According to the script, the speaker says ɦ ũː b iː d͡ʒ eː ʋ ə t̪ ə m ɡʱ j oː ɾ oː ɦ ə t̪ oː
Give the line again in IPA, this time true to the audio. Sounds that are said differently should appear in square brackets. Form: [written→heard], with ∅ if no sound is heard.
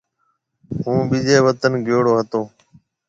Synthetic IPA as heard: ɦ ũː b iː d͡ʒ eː ʋ ə t̪ ə [m→n] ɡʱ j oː [ɾ→ɽ] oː ɦ ə t̪ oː